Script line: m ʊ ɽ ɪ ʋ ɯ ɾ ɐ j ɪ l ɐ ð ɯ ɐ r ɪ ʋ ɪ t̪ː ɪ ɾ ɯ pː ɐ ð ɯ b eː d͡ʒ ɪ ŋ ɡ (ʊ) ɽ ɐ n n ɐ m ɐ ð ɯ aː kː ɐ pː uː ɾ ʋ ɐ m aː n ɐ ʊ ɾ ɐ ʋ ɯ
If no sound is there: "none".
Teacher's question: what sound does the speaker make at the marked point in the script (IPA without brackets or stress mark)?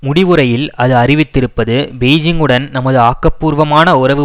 ɯ